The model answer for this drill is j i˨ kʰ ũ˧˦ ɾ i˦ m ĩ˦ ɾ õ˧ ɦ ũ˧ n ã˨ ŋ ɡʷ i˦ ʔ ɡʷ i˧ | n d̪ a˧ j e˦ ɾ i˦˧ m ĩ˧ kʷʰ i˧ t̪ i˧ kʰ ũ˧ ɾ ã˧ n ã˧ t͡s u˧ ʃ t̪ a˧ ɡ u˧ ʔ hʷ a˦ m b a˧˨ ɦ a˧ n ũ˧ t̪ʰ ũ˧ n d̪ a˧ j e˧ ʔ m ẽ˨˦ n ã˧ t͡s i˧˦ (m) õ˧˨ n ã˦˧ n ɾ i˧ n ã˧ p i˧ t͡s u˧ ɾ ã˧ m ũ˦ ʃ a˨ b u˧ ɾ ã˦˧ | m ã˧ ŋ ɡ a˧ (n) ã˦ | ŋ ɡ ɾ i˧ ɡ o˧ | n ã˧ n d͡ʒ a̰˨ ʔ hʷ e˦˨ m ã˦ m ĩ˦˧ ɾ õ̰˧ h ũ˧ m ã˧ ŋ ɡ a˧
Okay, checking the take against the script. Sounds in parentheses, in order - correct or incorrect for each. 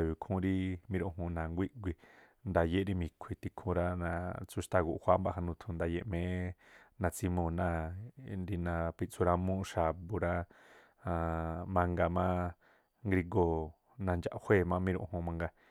correct, incorrect

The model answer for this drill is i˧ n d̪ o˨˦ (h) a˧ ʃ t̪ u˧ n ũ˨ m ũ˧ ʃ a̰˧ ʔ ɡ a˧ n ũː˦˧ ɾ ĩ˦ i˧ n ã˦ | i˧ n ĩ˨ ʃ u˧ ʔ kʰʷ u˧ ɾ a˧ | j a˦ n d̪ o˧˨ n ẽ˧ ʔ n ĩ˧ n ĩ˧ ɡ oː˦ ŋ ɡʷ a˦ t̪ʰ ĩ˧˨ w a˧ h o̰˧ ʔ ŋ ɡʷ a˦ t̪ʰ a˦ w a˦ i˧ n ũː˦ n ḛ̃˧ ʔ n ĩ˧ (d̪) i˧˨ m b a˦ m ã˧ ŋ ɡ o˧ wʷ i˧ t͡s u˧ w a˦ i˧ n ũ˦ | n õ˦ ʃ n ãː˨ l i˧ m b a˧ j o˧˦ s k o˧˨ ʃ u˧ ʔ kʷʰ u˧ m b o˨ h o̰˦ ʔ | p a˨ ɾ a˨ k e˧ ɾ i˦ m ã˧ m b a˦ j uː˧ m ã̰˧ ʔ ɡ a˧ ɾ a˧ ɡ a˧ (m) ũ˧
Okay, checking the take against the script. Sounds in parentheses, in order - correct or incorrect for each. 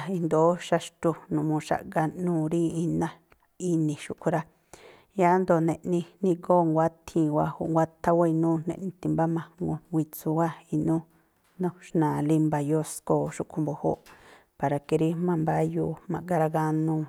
incorrect, incorrect, incorrect

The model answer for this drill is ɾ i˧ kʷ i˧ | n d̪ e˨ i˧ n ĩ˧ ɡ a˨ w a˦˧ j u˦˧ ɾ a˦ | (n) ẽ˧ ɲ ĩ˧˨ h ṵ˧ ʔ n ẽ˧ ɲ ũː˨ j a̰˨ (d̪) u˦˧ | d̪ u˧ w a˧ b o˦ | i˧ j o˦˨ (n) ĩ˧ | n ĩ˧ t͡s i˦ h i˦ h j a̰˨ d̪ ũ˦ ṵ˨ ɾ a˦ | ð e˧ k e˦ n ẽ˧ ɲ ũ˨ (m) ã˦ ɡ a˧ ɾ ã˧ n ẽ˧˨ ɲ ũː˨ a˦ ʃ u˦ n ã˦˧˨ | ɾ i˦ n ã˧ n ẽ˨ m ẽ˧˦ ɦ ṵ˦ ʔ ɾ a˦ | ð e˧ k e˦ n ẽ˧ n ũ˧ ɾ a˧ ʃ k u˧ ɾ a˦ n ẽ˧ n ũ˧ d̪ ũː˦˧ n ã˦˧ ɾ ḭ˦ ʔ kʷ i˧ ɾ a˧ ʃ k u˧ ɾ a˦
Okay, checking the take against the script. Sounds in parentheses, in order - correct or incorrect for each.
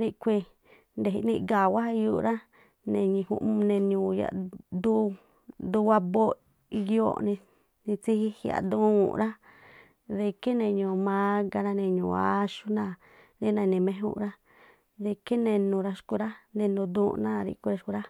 correct, correct, correct, correct

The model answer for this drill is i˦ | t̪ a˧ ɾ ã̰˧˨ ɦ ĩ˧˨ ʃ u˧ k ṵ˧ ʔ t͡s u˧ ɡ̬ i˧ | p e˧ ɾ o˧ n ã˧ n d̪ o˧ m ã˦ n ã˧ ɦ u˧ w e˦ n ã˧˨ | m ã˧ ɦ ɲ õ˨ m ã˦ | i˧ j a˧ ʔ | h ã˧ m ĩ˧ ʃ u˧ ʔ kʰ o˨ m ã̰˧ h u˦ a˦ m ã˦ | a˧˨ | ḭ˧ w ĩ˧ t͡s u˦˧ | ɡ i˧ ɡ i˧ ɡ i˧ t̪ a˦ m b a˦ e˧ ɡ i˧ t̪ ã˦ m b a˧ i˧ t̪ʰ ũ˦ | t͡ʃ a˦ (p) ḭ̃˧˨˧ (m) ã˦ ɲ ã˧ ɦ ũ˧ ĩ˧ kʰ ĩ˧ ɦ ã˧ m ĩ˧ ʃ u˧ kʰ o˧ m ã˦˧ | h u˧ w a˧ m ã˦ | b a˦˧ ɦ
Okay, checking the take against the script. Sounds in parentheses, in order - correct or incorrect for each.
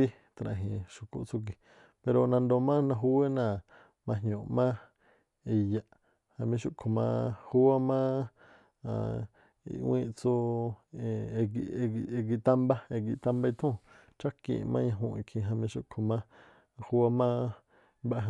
incorrect, correct

